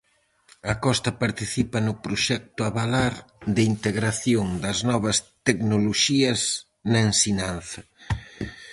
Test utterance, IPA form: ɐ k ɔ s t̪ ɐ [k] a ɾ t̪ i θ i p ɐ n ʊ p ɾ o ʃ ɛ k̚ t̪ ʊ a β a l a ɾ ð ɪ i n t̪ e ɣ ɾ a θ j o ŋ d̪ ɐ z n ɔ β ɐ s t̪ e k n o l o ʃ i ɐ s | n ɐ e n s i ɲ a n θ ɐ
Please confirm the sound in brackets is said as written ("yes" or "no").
no